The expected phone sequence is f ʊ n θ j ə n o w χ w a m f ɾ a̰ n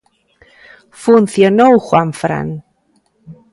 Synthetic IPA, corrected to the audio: f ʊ n θ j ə n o w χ w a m f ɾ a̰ n